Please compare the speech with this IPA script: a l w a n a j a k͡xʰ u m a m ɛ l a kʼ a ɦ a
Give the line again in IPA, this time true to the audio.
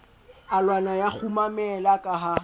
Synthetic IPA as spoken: a l w a n a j a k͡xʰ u m a m ɛ l a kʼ a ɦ a

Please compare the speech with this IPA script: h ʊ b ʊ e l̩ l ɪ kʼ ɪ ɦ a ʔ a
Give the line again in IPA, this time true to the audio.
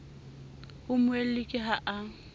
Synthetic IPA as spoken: h ʊ m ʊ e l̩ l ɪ kʼ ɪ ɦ a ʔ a

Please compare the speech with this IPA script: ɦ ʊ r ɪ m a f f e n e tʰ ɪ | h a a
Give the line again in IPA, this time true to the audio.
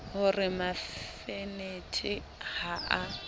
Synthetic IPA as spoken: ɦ ʊ r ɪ m a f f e n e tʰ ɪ | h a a

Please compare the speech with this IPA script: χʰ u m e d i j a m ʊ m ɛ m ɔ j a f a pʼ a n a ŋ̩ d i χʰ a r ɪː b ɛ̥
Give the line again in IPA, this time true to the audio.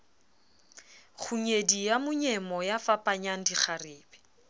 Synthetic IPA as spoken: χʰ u ɲ e d i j a m ʊ ɲ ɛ m ɔ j a f a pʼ a ɲ a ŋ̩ d i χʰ a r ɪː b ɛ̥

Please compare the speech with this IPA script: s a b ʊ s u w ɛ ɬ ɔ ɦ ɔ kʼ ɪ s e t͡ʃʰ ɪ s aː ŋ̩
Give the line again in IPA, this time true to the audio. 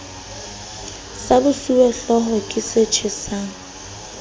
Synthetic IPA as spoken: s a b ʊ s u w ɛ ɬ ɔ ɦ ɔ kʼ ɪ s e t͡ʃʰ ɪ s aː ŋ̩

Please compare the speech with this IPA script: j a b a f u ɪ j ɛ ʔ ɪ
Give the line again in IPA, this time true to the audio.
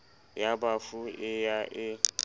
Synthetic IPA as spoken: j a b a f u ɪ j a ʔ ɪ

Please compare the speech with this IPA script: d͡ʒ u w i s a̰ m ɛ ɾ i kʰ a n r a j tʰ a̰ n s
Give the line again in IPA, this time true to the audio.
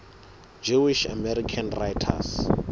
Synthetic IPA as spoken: d͡ʒ u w i ʃ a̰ m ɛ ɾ i kʰ a n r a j tʰ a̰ s

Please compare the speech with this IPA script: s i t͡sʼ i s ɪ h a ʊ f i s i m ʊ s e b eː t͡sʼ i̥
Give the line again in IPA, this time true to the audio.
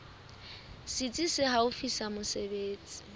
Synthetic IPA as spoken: s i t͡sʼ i s ɪ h a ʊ f i s a m ʊ s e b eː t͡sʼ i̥

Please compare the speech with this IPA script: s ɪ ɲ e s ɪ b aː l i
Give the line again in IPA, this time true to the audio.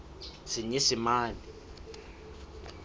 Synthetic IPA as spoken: s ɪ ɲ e s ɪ m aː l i

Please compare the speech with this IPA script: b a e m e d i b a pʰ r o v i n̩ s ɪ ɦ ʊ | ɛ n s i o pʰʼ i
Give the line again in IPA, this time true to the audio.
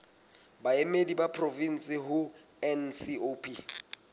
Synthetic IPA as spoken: b a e m e d i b a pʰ r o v i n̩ s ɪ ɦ ʊ | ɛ n s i o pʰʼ i

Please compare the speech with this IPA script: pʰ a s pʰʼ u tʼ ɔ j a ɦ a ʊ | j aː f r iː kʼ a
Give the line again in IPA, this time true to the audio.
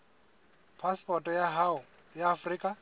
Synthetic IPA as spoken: pʰ a s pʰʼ ɔ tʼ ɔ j a ɦ a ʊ | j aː f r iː kʼ a

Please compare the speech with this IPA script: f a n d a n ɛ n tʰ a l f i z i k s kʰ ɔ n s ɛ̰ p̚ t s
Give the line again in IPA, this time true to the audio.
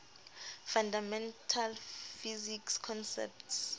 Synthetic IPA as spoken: f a n d a m ɛ n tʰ a l f i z i k s kʰ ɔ n s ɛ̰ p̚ t s

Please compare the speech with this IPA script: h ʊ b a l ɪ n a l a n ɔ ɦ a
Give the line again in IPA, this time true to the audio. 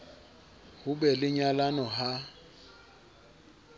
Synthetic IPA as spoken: h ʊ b ɛ l ɪ ɲ a l a n ɔ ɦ a

